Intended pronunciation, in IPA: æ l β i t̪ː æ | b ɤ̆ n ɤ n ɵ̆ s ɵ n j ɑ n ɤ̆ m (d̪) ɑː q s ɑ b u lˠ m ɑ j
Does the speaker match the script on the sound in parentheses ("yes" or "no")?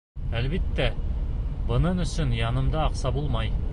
yes